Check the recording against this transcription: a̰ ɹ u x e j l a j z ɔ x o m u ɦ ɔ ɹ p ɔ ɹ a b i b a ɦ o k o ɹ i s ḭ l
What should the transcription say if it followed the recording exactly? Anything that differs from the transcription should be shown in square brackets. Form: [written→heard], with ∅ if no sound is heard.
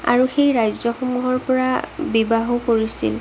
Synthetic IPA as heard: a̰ ɹ u x e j [l→ɹ] a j z ɔ x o m u ɦ ɔ ɹ p ɔ ɹ a b i b a ɦ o k o ɹ i s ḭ l